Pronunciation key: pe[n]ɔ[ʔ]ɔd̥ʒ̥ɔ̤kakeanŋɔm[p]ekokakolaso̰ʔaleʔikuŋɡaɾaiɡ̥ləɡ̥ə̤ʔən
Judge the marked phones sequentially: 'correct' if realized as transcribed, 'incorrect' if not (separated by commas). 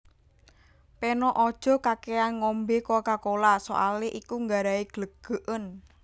correct, correct, incorrect